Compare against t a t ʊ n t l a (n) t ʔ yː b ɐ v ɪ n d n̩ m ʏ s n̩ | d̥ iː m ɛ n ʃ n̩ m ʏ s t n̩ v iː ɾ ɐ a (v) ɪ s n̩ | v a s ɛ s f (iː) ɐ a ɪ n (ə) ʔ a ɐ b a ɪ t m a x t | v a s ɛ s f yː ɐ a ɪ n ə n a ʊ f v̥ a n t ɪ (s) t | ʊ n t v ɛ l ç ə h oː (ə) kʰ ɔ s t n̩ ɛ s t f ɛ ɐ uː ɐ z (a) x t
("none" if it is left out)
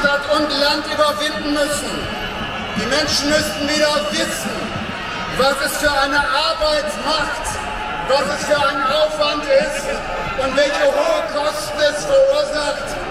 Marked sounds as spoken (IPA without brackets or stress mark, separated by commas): n, v, yː, ə, s, ə, a